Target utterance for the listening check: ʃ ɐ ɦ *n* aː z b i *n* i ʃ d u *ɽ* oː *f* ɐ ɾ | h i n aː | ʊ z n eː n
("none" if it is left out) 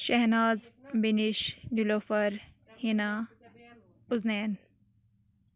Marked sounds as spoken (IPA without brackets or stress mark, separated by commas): n, n, l, f